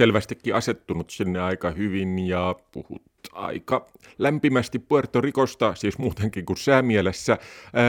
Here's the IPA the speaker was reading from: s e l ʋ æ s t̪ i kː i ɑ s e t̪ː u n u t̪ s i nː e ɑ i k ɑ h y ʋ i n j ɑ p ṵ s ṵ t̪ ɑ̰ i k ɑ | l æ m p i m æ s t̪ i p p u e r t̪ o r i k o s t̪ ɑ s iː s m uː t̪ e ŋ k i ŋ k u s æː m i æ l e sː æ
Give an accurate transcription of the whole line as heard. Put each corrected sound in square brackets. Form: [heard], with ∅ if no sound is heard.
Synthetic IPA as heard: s e l ʋ æ s t̪ i kː i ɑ s e t̪ː u n u t̪ s i nː e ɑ i k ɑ h y ʋ i n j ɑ p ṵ [h] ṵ t̪ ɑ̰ i k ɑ | l æ m p i m æ s t̪ i p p u e r t̪ o r i k o s t̪ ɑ s iː s m uː t̪ e ŋ k i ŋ k u s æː m i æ l e sː æ